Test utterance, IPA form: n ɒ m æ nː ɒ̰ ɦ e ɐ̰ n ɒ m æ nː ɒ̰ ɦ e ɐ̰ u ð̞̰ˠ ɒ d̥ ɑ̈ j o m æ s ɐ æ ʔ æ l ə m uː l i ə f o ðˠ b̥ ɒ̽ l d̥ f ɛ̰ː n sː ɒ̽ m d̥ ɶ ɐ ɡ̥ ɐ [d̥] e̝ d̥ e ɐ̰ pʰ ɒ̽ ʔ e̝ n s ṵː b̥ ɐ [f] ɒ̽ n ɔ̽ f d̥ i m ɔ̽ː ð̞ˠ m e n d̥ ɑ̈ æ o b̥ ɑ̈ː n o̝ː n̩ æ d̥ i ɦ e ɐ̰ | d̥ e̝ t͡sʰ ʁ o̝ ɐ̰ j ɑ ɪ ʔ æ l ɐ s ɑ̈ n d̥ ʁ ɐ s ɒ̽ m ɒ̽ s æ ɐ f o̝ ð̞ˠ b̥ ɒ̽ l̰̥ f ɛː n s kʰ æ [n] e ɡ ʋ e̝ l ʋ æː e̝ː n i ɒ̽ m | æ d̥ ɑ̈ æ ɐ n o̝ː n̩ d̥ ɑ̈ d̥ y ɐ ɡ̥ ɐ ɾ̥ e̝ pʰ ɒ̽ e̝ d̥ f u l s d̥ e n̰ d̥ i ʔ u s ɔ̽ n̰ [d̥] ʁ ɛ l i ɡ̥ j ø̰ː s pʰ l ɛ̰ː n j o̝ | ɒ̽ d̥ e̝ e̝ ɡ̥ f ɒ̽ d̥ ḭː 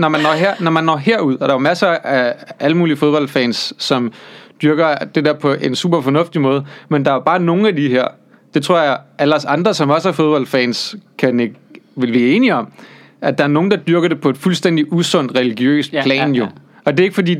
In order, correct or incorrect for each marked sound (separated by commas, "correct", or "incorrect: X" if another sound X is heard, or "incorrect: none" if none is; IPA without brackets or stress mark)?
correct, correct, correct, correct